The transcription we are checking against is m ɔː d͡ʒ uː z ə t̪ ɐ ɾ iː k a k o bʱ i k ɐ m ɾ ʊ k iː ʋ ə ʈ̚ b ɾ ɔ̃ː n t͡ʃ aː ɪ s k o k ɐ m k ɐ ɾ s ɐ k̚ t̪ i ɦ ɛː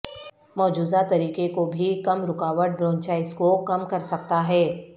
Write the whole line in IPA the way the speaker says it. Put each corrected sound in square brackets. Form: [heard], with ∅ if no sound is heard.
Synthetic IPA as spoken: m ɔː d͡ʒ uː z [a] t̪ ɐ ɾ iː k [e] k o bʱ i k ɐ m ɾ ʊ k [aː] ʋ ə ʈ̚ b ɾ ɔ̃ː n t͡ʃ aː ɪ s k o k ɐ m k ɐ ɾ s ɐ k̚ t̪ [a] ɦ ɛː

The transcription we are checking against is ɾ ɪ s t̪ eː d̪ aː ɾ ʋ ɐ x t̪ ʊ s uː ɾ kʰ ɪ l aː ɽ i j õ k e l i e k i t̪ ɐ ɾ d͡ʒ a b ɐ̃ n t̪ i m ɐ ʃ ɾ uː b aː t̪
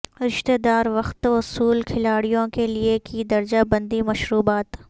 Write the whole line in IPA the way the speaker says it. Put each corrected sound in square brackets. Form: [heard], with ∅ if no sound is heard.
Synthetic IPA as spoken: ɾ ɪ [ʃ] t̪ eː d̪ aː ɾ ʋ ɐ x t̪ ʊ s uː [l] kʰ ɪ l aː ɽ i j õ k e l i e k i [d̪] ɐ ɾ d͡ʒ a b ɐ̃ n [d̪] i m ɐ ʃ ɾ uː b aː t̪

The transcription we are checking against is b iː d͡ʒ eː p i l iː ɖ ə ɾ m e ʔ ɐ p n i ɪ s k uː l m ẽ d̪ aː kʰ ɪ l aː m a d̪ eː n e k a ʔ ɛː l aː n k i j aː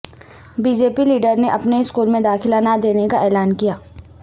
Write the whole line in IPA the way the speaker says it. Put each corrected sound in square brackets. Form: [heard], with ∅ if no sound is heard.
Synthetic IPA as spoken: b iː d͡ʒ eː p i l iː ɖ ə ɾ [n] e ʔ ɐ p n [e] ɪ s k uː l m ẽ d̪ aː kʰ ɪ l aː [n] a d̪ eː n e k a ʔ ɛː l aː n k i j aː

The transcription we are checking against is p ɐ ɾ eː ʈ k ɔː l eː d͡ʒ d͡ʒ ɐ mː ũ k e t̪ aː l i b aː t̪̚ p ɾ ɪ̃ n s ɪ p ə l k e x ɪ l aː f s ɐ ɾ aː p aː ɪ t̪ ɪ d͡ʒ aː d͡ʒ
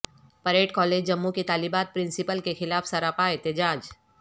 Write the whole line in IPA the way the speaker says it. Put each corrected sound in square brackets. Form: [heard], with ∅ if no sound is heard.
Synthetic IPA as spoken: p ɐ ɾ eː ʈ k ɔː l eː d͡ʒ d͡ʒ ɐ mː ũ k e t̪ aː l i b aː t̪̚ p ɾ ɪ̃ n s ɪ p ə l k e x ɪ l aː f s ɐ ɾ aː p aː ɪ t̪ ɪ d͡ʒ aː d͡ʒ

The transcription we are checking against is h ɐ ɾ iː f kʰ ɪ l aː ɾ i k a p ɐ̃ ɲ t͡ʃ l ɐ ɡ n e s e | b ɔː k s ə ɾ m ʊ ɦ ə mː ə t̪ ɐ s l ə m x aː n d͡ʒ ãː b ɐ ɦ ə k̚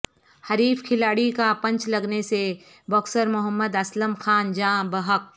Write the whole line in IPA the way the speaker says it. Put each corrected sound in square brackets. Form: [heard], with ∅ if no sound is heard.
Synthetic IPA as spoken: h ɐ ɾ iː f kʰ ɪ l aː [ɽ] i k a p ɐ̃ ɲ t͡ʃ l ɐ ɡ n e s e | b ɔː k s ə ɾ m ʊ ɦ ə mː ə [d̪] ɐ s l ə m x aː n d͡ʒ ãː b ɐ ɦ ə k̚

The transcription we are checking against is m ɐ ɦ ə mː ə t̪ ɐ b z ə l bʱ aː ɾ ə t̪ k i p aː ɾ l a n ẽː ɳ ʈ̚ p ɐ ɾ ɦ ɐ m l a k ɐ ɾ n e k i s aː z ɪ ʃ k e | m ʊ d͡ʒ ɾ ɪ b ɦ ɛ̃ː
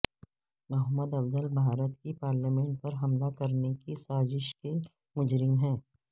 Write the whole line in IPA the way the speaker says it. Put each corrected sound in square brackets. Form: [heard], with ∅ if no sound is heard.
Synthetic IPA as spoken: m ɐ ɦ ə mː ə [d̪] ɐ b z ə l bʱ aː ɾ ə t̪ k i p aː ɾ l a [m] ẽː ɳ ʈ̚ p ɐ ɾ ɦ ɐ m l a k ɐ ɾ n e k i s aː z ɪ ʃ k e | m ʊ d͡ʒ ɾ ɪ [m] ɦ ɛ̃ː

